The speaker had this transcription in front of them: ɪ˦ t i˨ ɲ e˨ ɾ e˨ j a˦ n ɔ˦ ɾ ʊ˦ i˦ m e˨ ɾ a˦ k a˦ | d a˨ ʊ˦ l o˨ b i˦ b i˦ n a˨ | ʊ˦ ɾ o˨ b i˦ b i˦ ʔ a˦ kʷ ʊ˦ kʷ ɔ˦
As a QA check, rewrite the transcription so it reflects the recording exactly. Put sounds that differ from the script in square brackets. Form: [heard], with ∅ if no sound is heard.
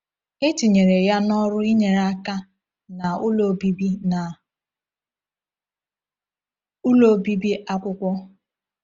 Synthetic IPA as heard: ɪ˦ t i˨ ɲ e˨ ɾ e˨ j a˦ n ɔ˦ ɾ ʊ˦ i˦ [ɲ] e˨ ɾ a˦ k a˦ | [n] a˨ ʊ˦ l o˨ b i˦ b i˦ n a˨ | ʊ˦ [l] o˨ b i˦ b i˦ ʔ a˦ kʷ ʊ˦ kʷ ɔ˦